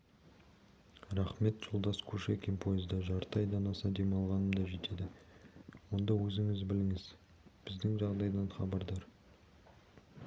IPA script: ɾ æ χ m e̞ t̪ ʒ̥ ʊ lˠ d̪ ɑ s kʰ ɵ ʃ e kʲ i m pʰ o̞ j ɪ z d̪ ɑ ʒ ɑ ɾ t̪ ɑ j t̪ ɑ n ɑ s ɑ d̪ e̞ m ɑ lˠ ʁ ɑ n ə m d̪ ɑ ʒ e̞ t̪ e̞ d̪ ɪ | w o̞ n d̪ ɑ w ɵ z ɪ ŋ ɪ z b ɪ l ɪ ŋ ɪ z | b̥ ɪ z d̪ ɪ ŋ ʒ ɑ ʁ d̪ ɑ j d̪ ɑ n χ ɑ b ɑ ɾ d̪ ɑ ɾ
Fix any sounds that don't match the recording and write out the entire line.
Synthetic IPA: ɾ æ χ m e̞ t̪ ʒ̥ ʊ lˠ d̪ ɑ s kʰ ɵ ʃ e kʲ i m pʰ o̞ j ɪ z d̪ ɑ ʒ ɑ ɾ t̪ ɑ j d̪ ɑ n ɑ s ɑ d̪ e̞ m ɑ lˠ ʁ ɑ n ə m d̪ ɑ ʒ e̞ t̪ e̞ d̪ ɪ | w o̞ n d̪ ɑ w ɵ z ɪ ŋ ɪ z b ɪ l ɪ ŋ ɪ z | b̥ ɪ z d̪ ɪ ŋ ʒ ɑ ʁ d̪ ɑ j d̪ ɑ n χ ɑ b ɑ ɾ d̪ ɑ ɾ